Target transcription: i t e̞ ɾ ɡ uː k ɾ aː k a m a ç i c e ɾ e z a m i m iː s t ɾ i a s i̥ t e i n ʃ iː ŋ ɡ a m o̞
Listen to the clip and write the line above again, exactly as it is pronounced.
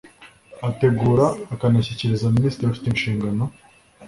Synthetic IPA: a t e̞ ɡ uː ɾ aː k a n a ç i c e ɾ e z a m i n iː s t ɾ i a f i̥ t e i n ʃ iː ŋ ɡ a n o̞